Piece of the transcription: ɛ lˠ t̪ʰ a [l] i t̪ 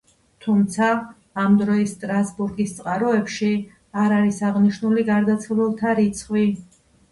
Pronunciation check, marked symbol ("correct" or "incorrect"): incorrect